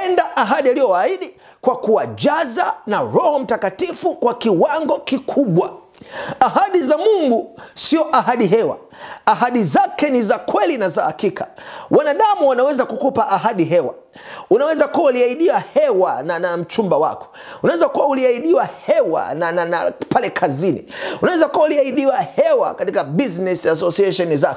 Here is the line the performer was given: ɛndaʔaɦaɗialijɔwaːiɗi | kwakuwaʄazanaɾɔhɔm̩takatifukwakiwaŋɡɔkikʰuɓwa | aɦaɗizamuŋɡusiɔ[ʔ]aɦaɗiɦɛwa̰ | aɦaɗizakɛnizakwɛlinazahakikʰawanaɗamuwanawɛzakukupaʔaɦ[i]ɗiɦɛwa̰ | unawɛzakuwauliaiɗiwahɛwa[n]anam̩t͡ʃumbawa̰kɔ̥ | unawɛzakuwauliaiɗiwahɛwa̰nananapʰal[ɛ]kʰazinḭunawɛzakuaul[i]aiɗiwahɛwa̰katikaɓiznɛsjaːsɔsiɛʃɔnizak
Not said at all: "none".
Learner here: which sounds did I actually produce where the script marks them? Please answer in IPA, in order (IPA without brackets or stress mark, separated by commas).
ʔ, a, n, ɛ, i